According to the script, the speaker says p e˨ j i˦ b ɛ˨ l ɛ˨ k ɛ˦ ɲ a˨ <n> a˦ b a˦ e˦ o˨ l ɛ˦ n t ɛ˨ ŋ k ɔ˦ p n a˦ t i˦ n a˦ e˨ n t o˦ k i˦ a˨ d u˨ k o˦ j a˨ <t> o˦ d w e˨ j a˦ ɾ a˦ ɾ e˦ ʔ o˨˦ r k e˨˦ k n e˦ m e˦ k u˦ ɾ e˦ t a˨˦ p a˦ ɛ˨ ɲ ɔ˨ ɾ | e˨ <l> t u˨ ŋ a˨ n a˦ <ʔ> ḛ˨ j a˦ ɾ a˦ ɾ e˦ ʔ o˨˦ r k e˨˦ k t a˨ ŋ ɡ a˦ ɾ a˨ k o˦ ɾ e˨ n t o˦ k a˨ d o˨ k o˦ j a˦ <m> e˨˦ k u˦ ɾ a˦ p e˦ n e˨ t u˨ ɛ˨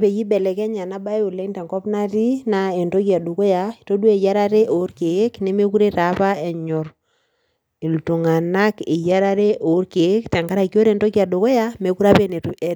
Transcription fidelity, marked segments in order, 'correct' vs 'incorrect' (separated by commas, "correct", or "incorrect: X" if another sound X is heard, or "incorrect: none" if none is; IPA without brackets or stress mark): correct, correct, correct, incorrect: k, correct